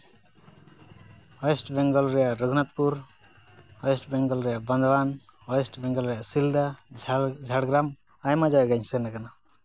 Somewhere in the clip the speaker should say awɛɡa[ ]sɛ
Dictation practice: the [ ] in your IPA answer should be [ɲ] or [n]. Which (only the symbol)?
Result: ɲ